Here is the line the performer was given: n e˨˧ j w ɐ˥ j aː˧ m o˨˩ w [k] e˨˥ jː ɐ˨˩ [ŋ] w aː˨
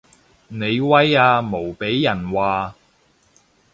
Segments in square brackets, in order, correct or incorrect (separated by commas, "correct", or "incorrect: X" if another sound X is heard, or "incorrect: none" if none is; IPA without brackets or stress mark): incorrect: p, incorrect: n